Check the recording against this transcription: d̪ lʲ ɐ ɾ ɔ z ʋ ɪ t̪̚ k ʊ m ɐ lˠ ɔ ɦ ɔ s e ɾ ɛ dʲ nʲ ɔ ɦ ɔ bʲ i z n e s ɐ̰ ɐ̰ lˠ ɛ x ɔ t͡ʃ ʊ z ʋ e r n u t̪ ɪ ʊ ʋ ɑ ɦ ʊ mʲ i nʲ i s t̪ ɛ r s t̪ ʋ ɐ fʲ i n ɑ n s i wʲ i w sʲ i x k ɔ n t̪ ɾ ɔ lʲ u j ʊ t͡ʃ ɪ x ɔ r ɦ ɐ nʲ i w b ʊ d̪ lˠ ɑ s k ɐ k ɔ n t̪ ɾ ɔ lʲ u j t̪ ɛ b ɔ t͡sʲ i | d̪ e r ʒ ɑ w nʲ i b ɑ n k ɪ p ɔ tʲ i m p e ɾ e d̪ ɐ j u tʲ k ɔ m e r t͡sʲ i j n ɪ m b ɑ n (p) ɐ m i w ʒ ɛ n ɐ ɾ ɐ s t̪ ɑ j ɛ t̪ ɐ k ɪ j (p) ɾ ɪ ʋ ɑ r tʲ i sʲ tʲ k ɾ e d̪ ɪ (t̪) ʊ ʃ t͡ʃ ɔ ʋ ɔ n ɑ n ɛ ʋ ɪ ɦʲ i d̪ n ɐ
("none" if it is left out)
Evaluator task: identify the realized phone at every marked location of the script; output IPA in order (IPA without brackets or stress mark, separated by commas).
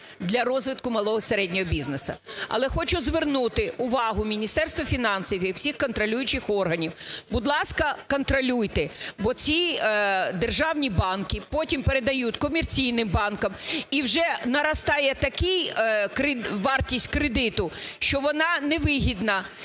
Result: k, k, t̪